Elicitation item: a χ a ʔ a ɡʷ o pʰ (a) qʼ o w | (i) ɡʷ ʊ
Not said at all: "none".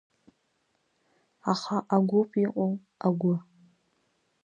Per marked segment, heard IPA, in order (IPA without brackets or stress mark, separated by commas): i, a